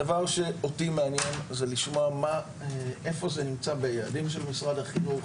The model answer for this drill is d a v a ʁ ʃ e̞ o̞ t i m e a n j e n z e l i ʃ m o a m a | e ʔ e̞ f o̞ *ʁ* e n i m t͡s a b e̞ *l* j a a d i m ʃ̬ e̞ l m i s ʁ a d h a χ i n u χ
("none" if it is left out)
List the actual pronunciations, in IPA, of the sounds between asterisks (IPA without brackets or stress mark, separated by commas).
z, none